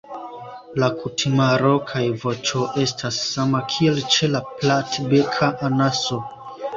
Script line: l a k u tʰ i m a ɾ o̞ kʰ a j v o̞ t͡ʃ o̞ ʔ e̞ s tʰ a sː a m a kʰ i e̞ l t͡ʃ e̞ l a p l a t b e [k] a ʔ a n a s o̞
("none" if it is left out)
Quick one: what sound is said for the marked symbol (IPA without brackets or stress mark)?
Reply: kʰ